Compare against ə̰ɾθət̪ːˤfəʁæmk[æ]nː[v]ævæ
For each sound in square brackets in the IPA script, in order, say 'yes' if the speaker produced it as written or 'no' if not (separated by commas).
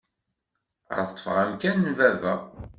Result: yes, yes